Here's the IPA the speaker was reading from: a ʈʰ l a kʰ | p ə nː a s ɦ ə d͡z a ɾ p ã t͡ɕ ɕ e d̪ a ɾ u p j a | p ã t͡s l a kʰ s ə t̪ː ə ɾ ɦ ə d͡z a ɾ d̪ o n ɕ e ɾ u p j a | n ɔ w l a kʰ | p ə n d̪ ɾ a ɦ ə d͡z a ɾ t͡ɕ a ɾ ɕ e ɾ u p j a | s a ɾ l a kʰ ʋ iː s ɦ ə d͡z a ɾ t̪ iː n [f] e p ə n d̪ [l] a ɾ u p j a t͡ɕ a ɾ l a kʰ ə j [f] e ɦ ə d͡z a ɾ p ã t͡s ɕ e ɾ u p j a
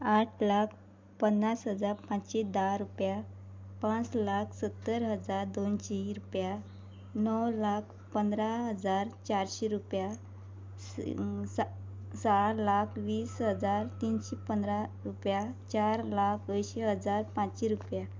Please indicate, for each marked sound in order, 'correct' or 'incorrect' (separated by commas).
incorrect, incorrect, incorrect